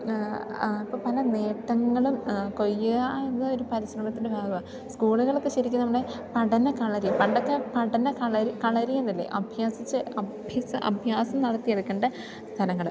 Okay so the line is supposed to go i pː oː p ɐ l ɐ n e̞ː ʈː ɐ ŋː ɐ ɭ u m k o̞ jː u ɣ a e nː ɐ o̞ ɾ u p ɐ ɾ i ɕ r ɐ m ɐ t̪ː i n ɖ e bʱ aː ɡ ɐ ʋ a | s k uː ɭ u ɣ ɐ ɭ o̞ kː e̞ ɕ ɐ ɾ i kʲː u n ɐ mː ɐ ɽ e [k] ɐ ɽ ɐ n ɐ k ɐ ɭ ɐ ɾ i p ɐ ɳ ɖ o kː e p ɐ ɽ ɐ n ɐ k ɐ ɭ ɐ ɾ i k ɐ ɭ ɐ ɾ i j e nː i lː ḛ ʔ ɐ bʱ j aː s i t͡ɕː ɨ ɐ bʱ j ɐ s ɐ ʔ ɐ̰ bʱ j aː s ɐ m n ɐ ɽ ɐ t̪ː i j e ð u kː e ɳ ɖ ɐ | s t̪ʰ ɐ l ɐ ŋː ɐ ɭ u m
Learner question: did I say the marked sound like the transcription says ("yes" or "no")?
no